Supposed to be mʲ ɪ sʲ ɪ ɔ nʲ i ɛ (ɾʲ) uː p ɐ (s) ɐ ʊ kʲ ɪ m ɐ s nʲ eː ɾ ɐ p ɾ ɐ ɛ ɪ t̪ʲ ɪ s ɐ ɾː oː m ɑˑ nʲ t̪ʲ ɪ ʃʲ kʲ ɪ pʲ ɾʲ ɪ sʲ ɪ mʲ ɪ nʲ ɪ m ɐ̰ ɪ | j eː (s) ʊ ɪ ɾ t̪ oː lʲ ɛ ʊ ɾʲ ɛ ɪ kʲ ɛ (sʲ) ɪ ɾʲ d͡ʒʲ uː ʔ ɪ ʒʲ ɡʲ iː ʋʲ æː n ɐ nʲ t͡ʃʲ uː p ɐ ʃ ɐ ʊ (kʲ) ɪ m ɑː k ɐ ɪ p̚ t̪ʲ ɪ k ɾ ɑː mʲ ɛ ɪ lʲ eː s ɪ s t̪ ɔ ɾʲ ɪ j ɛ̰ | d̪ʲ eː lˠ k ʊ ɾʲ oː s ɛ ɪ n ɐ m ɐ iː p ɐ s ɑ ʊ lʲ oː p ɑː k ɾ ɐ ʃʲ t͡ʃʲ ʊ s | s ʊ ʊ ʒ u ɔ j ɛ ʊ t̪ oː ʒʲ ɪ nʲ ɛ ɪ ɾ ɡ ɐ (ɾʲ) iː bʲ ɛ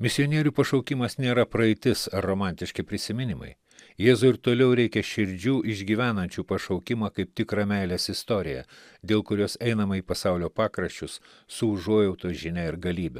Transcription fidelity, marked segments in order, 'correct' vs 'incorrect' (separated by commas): correct, incorrect, incorrect, incorrect, correct, incorrect